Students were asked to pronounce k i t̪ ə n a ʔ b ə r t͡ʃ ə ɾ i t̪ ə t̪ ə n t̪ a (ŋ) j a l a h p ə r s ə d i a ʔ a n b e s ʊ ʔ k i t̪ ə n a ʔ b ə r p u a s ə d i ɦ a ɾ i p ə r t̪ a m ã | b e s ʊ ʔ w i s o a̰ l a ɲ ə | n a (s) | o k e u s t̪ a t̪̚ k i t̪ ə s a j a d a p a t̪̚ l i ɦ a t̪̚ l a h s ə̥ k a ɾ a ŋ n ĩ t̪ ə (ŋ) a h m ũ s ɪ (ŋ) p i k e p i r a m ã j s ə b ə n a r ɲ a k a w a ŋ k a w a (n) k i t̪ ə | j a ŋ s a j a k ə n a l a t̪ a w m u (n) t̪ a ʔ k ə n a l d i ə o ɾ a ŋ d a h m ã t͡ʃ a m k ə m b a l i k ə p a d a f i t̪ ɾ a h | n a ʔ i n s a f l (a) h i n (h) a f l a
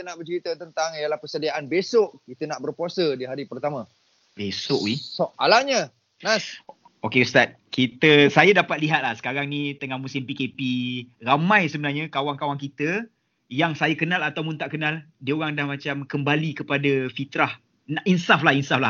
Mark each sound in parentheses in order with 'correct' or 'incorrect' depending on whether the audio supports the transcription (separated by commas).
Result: correct, correct, correct, incorrect, incorrect, correct, correct, incorrect